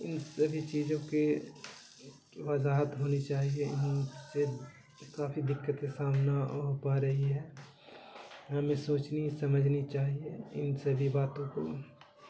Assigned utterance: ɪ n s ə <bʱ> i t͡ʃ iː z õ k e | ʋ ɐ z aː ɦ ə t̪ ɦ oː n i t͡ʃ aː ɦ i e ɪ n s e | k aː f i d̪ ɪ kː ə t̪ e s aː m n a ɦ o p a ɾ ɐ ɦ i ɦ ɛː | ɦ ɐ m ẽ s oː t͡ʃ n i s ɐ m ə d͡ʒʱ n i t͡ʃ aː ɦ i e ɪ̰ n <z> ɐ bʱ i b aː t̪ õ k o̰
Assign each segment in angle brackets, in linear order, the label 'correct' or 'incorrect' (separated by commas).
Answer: correct, incorrect